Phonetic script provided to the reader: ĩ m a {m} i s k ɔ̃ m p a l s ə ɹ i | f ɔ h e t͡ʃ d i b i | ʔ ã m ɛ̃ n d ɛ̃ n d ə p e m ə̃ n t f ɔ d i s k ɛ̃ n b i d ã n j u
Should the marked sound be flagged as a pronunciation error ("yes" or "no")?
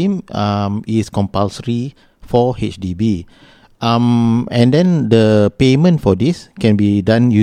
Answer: no